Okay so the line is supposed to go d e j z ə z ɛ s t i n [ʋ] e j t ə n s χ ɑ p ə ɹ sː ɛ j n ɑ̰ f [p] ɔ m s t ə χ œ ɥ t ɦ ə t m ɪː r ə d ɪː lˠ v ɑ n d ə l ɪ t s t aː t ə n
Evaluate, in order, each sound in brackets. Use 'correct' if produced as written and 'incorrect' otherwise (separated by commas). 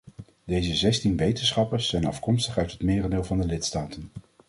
correct, incorrect